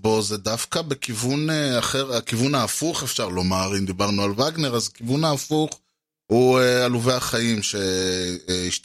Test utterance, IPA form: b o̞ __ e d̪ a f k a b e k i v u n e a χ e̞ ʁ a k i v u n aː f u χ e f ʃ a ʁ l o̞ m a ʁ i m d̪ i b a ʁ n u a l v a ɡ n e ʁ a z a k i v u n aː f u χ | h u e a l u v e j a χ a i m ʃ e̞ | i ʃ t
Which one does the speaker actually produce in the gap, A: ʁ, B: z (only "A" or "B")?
B